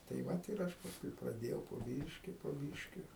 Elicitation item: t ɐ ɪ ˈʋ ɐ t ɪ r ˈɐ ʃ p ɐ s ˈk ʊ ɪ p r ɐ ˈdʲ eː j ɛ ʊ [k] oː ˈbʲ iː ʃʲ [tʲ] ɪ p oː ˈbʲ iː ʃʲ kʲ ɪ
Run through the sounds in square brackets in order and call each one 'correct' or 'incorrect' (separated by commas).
incorrect, incorrect